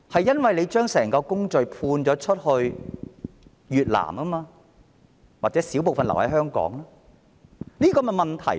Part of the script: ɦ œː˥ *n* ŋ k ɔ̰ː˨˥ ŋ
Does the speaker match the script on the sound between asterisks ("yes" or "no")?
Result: no